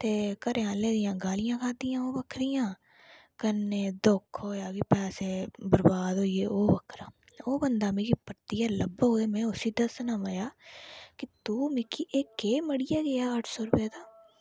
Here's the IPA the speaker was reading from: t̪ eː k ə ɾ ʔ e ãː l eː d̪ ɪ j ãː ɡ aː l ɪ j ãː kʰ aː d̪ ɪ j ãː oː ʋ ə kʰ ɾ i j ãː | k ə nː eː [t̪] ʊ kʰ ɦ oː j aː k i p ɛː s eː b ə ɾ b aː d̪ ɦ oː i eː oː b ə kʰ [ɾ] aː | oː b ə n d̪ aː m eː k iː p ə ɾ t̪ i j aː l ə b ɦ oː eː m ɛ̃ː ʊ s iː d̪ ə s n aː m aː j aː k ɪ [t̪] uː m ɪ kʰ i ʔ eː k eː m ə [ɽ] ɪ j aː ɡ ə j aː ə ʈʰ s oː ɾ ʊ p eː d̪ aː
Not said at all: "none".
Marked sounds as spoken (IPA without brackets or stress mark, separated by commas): d̪, ɾ, t̪, ɽ